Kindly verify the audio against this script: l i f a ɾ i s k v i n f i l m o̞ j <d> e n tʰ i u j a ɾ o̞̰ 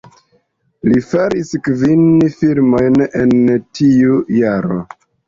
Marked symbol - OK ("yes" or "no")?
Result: no